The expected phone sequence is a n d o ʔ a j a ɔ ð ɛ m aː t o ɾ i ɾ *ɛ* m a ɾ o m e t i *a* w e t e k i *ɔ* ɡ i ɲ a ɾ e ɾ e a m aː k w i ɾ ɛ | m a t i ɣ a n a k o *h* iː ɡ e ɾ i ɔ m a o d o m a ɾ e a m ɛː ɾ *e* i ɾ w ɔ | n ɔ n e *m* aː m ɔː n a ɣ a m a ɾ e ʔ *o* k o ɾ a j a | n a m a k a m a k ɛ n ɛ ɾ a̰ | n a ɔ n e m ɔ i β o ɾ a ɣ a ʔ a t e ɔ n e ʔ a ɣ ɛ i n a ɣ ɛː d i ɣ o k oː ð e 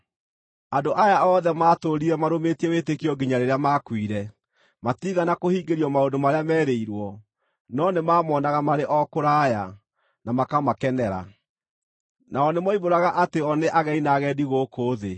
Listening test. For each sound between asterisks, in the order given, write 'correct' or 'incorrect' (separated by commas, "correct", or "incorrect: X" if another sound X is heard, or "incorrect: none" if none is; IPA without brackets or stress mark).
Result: correct, incorrect: ɛ, correct, correct, correct, correct, incorrect: ɔ